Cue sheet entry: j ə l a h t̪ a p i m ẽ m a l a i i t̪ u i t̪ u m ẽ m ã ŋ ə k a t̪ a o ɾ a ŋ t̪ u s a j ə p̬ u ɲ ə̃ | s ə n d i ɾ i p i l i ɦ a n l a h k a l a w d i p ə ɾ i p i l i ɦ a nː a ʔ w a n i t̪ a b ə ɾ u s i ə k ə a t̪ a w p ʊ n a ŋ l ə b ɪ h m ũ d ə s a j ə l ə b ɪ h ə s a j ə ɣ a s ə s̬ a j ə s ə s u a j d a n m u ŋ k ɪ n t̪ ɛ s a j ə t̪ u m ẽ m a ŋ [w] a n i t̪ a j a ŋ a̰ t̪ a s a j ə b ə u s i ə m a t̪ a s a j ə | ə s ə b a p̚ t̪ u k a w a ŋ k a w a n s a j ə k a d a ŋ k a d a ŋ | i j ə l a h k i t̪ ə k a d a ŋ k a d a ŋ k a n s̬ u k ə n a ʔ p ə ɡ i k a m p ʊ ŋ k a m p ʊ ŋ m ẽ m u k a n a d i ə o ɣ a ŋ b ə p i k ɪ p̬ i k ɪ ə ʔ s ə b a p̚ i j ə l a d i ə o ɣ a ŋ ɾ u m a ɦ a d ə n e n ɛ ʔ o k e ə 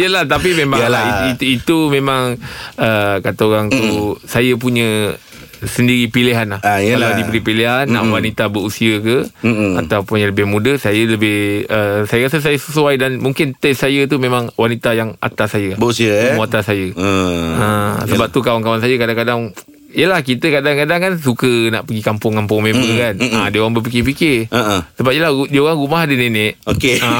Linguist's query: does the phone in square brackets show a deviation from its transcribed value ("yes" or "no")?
no